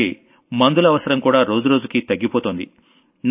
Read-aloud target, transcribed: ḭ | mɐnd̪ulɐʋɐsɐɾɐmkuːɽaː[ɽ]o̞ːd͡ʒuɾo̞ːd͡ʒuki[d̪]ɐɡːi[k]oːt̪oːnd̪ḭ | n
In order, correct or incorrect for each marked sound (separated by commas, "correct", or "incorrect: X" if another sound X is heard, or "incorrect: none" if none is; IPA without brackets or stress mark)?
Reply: incorrect: ɾ, incorrect: t̪, incorrect: p